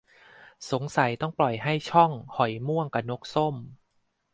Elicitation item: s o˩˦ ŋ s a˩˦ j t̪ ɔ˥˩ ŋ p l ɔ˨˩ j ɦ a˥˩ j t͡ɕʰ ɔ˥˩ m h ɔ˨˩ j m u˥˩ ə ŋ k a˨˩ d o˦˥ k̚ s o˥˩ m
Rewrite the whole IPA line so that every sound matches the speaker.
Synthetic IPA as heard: s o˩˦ ŋ s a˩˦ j t̪ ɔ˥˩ ŋ p l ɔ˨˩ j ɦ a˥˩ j t͡ɕʰ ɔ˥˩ ŋ h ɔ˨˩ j m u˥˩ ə ŋ k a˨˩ n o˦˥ k̚ s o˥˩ m